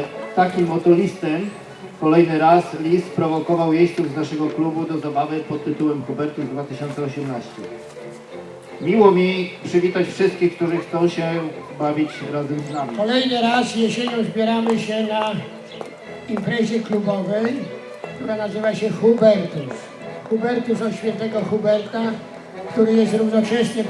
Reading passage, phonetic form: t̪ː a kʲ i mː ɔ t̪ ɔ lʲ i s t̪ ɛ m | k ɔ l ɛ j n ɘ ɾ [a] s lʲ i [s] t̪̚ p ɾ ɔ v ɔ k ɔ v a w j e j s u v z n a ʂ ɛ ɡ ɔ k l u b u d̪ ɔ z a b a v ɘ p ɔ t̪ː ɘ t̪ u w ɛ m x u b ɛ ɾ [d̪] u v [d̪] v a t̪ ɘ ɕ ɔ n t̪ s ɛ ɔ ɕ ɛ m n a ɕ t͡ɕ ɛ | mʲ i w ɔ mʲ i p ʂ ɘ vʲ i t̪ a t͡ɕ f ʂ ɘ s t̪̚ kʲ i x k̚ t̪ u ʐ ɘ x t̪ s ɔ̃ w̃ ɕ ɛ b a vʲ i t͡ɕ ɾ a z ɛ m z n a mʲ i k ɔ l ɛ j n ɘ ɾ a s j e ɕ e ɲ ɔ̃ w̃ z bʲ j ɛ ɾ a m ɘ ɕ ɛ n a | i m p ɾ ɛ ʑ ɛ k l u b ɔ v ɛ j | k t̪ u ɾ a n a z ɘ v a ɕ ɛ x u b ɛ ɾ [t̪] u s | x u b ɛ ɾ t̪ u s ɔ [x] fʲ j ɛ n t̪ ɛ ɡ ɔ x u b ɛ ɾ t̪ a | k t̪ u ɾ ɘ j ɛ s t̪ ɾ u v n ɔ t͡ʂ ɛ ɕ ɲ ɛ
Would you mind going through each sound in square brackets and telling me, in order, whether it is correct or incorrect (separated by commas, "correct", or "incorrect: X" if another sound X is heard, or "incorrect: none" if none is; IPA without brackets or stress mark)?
correct, correct, incorrect: t̪, correct, correct, incorrect: ɕ